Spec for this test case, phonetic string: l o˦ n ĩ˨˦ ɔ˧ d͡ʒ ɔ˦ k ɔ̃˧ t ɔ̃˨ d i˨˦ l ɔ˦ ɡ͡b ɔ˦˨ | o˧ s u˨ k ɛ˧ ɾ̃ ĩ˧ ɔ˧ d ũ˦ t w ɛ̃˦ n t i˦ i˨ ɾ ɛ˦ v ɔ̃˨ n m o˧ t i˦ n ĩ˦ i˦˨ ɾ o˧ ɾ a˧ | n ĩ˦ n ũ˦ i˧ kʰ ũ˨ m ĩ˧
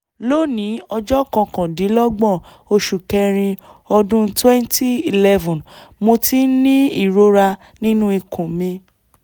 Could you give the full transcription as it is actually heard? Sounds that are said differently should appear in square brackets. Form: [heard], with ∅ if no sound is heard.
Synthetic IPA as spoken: l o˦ n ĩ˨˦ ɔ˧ d͡ʒ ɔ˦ k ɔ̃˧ [k] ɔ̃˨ d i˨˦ l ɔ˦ ɡ͡b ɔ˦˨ | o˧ [ʃ] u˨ k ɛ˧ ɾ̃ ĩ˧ ɔ˧ d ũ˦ t w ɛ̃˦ n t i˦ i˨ [l] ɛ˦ v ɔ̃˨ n m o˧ t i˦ n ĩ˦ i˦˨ ɾ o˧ ɾ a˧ | n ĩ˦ n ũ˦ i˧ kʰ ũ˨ m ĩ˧